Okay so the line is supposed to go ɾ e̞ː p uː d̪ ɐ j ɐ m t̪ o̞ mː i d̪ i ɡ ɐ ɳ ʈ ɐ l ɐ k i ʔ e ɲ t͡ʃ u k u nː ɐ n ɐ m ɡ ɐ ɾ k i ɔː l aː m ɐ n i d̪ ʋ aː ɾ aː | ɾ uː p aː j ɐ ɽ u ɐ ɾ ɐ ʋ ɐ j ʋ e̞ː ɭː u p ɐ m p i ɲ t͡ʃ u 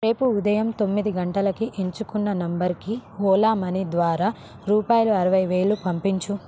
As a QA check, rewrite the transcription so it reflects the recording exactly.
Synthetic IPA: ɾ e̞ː p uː d̪ ɐ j ɐ m t̪ o̞ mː i d̪ i ɡ ɐ ɳ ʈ ɐ l ɐ k i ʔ e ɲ t͡ʃ u k u nː ɐ n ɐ m b ɐ ɾ k i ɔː l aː m ɐ n i d̪ ʋ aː ɾ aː | ɾ uː p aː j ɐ l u ɐ ɾ ɐ ʋ ɐ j ʋ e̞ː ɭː u p ɐ m p i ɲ t͡ʃ u